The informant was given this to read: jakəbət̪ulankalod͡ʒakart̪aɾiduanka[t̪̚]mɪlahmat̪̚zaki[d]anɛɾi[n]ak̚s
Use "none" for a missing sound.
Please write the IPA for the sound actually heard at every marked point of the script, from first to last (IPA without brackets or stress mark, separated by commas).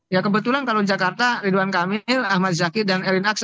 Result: none, d, n